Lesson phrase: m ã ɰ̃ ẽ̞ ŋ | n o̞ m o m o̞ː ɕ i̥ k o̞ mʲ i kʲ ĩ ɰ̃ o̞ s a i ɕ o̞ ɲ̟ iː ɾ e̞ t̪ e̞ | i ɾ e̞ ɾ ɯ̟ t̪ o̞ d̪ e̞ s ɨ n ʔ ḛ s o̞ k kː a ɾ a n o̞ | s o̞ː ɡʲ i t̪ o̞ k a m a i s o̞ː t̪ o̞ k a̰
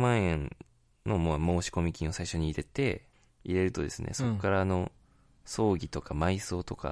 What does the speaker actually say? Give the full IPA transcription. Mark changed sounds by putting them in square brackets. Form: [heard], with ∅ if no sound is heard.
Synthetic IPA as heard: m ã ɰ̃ ẽ̞ [n] | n o̞ m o m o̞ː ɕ i̥ k o̞ mʲ i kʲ ĩ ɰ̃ o̞ s a i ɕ o̞ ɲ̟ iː ɾ e̞ t̪ e̞ | i ɾ e̞ ɾ ɯ̟ t̪ o̞ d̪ e̞ s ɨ n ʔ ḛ s o̞ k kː a ɾ a n o̞ | s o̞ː ɡʲ i t̪ o̞ k a m a i s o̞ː t̪ o̞ k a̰